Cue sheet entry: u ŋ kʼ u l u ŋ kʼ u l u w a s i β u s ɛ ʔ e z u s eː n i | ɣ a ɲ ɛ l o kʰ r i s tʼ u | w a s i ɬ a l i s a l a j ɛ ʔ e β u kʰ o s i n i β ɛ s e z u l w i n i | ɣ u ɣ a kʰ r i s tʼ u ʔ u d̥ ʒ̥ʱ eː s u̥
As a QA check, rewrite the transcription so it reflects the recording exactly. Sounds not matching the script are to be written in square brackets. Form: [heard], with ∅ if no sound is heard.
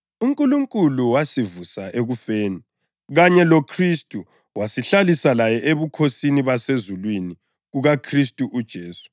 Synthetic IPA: u ŋ kʼ u l u ŋ kʼ u l u w a s i [v] u s [a] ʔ e [ɣ] u [f] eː n i | ɣ a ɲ ɛ l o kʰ r i s tʼ u | w a s i ɬ a l i s a l a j ɛ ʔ e β u kʰ o s i n i β [a] s e z u l w i n i | ɣ u ɣ a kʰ r i s tʼ u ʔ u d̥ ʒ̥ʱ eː s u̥